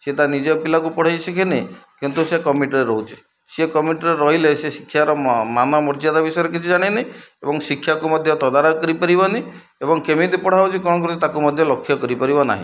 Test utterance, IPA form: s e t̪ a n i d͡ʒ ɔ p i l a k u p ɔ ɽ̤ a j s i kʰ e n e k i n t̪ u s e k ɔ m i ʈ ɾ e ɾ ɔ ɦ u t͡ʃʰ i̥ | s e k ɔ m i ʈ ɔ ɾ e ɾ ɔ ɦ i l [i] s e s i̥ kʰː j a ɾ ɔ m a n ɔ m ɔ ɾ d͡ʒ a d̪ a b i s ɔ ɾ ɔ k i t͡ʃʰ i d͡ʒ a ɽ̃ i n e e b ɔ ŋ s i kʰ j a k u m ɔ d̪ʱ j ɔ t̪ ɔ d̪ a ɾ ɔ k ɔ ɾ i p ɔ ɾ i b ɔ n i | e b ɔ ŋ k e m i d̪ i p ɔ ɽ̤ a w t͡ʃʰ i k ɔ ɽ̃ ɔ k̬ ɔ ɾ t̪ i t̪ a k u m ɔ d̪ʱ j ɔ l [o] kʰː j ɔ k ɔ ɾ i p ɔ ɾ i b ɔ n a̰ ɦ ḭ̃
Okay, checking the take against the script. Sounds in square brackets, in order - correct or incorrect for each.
incorrect: e, incorrect: ɔ

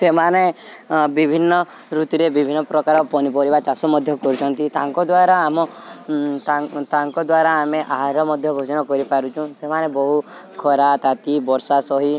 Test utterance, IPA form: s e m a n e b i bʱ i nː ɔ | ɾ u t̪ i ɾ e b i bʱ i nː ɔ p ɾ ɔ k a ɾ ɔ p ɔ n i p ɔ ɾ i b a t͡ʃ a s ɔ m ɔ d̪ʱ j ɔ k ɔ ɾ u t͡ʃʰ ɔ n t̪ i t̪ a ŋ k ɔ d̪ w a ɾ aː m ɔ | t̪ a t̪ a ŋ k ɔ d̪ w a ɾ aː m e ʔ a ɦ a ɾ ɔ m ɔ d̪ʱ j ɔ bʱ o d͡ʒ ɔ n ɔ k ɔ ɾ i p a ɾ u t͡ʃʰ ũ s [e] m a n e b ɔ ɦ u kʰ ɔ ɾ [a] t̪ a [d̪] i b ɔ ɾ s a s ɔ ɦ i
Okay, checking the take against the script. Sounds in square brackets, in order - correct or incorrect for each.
correct, correct, incorrect: t̪

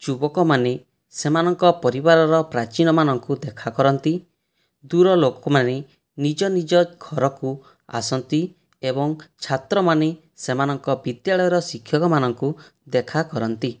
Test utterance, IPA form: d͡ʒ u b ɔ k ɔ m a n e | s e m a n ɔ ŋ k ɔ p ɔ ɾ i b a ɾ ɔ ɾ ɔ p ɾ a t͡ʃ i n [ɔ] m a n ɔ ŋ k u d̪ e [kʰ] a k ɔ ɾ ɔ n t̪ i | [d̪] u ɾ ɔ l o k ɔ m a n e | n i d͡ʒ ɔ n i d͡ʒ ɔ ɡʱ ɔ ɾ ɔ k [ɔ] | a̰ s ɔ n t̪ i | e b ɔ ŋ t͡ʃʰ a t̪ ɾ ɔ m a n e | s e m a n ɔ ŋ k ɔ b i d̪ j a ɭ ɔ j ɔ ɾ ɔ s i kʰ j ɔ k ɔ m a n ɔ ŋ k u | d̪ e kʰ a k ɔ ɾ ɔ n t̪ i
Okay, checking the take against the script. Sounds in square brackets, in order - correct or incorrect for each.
correct, correct, correct, incorrect: u

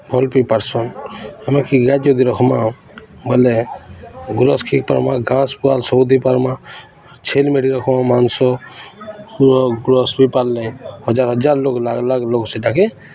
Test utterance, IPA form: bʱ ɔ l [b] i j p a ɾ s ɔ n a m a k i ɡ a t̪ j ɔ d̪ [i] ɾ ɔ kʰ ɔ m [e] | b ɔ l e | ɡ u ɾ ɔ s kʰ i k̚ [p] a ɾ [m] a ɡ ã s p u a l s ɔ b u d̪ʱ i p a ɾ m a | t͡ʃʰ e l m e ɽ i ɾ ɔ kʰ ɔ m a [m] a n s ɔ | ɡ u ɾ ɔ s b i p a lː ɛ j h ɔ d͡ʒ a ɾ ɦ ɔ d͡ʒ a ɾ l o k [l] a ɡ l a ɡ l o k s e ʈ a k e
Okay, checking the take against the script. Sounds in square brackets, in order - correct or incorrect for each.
incorrect: p, correct, incorrect: a, correct, correct, correct, correct

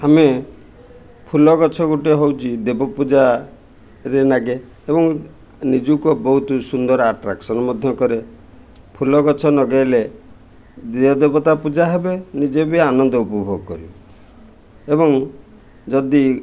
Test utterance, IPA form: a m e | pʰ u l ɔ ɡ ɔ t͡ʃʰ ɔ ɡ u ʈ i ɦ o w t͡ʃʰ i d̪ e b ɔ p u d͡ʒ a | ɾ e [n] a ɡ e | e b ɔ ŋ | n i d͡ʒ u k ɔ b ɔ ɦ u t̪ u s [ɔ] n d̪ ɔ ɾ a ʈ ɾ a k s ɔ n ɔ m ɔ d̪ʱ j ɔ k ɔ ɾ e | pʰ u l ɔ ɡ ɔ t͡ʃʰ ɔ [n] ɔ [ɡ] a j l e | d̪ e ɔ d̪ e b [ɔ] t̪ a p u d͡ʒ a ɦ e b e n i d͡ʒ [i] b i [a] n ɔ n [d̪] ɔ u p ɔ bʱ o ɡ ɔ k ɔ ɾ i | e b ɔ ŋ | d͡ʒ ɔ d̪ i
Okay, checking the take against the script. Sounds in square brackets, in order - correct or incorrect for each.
correct, incorrect: u, correct, correct, correct, incorrect: e, correct, correct

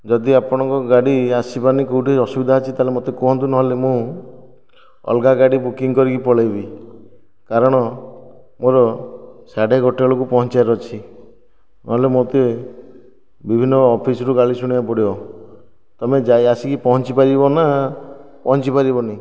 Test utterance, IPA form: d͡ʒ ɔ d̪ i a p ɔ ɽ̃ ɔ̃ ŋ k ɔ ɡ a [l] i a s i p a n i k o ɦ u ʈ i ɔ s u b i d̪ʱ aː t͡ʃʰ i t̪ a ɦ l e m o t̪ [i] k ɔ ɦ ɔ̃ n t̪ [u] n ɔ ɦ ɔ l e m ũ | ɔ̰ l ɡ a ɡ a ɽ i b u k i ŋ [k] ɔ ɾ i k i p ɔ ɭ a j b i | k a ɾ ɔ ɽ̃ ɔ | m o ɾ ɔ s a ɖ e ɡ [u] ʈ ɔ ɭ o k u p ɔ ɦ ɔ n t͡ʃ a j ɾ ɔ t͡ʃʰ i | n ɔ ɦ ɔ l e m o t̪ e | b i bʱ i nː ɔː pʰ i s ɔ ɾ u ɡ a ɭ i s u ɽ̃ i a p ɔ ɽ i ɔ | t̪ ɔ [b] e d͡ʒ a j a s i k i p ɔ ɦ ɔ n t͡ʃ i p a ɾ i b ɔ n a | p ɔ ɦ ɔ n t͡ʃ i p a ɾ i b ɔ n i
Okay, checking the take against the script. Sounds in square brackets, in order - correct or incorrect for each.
incorrect: ɽ, incorrect: e, correct, correct, incorrect: ɔ, incorrect: m

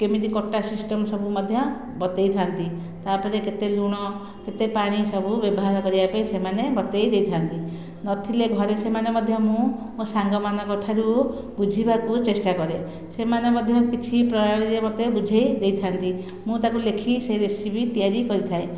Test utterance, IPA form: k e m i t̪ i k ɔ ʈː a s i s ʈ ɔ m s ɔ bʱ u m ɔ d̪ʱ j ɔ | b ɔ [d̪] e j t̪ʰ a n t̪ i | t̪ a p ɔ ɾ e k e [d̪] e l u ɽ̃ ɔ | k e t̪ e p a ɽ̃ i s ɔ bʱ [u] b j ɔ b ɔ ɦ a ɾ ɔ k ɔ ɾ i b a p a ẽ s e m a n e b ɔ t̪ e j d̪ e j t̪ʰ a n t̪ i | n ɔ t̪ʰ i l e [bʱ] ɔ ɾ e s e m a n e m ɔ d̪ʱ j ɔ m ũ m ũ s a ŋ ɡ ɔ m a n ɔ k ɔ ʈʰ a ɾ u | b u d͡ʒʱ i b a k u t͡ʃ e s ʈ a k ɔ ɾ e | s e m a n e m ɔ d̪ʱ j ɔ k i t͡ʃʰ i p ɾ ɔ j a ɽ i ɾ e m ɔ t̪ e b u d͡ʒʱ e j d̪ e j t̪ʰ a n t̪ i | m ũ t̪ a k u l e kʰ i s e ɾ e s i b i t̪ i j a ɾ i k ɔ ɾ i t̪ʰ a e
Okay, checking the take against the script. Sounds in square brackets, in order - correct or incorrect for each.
incorrect: t̪, incorrect: t̪, correct, incorrect: ɡʱ

